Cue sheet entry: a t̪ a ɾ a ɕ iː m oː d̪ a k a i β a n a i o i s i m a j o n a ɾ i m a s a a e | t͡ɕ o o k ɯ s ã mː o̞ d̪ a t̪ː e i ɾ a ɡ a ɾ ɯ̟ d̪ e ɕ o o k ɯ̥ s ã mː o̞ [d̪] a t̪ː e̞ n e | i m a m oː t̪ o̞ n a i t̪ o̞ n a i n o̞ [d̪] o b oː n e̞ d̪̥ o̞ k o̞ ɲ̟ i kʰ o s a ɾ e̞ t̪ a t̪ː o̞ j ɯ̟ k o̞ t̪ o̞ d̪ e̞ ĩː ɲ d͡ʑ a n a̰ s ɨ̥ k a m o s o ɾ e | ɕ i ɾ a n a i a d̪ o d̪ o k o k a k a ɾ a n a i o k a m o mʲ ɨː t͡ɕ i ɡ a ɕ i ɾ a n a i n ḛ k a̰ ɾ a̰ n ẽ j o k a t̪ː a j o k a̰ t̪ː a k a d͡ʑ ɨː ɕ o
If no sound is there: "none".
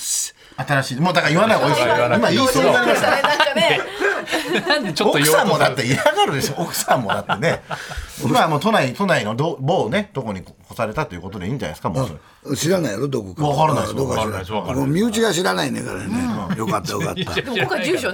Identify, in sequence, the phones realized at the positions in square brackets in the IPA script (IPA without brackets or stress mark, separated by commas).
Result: d̪, d̪